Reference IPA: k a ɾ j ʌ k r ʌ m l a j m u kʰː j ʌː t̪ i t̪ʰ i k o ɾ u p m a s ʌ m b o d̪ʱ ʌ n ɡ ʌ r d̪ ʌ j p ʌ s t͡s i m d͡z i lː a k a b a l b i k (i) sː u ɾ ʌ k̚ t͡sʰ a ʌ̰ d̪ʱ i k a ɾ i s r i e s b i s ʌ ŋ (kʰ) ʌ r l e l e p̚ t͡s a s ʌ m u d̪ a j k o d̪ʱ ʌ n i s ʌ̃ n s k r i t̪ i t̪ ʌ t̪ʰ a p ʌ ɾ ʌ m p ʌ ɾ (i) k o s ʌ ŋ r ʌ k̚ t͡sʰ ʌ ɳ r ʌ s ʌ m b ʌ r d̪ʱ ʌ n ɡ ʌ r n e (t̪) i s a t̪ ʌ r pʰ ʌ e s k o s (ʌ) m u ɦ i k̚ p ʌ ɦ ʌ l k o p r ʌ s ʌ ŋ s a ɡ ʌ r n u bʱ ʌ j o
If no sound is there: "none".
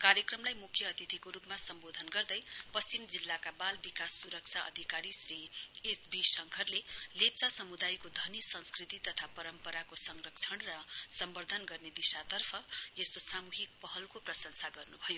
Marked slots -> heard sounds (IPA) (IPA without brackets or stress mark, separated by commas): a, kʰ, a, d̪, a